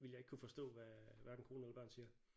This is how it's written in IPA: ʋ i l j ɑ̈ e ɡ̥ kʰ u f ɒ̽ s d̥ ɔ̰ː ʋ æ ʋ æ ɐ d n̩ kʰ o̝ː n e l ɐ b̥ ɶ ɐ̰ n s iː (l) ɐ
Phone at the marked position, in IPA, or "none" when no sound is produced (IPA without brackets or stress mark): none